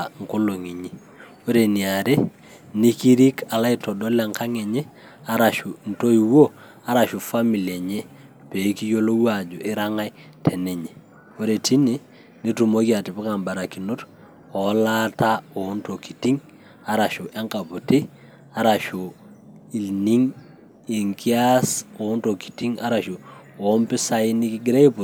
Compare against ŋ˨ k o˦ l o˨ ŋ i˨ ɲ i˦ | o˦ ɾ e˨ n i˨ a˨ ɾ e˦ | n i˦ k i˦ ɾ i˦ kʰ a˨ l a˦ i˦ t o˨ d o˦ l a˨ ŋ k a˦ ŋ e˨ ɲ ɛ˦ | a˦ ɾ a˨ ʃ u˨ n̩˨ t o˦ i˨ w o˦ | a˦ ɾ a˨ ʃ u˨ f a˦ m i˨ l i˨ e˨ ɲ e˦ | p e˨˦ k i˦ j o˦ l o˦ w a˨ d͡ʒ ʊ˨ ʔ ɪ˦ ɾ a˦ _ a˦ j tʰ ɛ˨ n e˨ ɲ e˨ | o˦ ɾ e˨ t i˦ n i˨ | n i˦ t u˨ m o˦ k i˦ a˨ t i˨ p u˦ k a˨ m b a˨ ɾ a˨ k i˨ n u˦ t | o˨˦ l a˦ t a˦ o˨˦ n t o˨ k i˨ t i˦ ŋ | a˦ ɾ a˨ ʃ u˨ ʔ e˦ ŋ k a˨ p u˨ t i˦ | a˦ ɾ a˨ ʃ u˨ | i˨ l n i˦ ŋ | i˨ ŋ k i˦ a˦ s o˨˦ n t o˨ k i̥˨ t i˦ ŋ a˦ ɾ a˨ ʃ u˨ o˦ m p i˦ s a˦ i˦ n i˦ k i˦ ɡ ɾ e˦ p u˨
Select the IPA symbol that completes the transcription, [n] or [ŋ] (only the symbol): ŋ